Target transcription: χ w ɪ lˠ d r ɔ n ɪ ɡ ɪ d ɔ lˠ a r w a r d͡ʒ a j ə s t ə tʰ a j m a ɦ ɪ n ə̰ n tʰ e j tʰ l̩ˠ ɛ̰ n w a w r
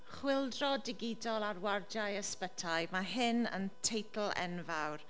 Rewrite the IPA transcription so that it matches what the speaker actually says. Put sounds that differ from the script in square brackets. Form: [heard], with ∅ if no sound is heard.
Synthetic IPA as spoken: χ w ɪ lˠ d r ɔ [d] ɪ ɡ ɪ d ɔ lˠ a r w a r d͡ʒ a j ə s [p] ə tʰ a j m a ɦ ɪ n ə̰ n tʰ e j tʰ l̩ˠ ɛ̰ n [v] a w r